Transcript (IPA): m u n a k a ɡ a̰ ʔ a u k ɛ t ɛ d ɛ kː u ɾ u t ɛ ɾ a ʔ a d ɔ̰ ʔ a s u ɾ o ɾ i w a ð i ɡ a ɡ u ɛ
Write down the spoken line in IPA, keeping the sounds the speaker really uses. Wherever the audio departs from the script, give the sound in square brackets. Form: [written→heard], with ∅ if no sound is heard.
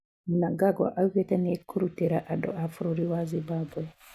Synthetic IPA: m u n a [k→ɡ] a ɡ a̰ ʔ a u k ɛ t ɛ [d→n] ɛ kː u ɾ u t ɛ ɾ a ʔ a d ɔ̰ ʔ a [s→f] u ɾ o ɾ i w a [ð→z] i [ɡ→b] a [ɡ→b] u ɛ